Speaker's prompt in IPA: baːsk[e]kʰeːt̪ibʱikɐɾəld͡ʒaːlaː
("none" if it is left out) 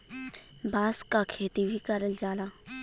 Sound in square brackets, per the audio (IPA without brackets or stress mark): a